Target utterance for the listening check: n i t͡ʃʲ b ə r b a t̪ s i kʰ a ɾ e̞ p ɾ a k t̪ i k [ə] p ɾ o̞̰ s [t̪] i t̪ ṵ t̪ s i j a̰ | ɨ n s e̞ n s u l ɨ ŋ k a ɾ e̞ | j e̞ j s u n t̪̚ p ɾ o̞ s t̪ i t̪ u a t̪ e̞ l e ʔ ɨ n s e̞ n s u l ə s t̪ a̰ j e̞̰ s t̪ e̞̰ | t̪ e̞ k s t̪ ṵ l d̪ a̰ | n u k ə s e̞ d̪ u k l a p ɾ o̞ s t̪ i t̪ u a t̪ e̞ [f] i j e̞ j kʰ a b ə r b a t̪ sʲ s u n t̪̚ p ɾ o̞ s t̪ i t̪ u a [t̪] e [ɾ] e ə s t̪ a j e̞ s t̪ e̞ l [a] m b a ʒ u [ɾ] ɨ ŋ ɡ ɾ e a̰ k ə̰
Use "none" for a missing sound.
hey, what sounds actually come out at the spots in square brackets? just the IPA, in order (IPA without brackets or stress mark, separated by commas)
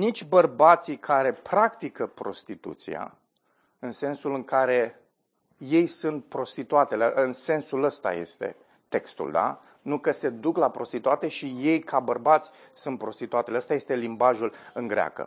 ə, t̪, ʃ, t̪, l, i, l